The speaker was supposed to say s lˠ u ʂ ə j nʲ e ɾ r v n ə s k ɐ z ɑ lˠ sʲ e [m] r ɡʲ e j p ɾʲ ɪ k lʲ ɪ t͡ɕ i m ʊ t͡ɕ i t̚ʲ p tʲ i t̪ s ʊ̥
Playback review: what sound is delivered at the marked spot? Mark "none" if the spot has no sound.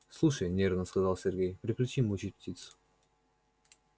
none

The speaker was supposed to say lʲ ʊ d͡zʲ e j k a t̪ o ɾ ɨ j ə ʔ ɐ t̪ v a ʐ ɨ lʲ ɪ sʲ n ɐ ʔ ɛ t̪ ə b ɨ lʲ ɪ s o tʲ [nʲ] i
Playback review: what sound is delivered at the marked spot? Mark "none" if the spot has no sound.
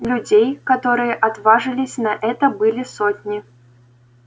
nʲ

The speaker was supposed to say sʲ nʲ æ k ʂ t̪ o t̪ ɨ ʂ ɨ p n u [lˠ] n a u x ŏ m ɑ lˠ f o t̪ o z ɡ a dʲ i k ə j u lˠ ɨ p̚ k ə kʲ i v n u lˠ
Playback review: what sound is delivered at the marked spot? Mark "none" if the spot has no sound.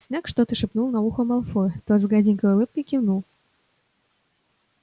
lˠ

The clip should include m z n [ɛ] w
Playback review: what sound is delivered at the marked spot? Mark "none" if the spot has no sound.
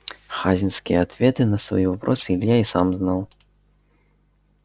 a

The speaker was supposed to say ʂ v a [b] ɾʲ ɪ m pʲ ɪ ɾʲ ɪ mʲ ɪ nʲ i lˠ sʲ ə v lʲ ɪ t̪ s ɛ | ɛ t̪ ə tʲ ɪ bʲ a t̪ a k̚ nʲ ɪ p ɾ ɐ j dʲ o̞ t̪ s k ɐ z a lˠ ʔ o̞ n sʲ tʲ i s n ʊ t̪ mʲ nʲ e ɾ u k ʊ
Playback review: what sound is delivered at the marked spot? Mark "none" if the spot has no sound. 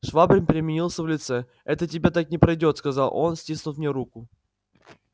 b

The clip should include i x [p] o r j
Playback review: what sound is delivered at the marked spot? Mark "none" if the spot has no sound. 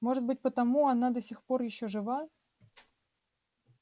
p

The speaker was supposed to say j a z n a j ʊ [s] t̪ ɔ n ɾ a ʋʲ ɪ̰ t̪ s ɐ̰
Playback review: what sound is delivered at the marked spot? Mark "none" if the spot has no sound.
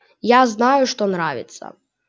ʂ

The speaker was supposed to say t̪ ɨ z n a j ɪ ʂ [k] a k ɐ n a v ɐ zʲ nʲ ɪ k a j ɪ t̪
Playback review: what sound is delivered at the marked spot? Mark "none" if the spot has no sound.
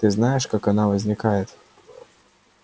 k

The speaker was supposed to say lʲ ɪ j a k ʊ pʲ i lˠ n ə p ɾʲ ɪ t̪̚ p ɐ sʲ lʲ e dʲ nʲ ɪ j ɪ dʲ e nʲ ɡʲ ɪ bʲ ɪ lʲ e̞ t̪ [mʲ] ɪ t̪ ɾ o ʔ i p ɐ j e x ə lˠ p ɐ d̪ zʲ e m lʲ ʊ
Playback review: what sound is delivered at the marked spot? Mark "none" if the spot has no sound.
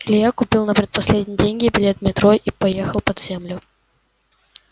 mʲ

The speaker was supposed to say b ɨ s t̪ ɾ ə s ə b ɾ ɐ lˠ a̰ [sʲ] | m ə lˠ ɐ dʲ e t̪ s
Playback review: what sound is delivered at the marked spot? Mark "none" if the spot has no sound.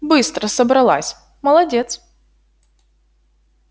sʲ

